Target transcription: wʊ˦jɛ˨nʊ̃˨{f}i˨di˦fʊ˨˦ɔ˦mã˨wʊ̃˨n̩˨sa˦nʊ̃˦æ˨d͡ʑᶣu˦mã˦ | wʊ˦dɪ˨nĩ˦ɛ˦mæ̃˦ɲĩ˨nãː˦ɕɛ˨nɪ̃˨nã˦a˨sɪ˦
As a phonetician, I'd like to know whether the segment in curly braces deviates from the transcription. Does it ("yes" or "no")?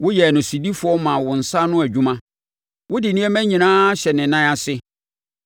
yes